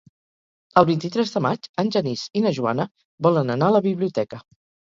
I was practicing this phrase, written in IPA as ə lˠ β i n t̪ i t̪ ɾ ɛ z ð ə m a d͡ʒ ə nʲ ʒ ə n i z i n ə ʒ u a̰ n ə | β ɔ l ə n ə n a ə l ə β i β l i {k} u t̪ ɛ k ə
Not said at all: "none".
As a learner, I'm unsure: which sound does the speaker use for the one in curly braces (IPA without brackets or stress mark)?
none